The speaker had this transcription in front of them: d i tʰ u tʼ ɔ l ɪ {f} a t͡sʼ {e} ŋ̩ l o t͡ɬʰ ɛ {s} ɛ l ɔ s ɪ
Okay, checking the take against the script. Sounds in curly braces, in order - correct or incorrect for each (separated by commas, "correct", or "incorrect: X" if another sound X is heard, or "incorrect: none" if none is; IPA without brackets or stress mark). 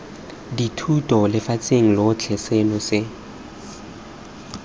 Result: correct, correct, correct